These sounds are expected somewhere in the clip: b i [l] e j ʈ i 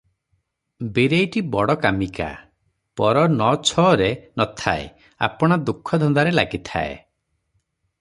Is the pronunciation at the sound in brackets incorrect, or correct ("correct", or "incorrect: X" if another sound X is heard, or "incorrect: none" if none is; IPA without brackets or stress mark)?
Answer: incorrect: ɾ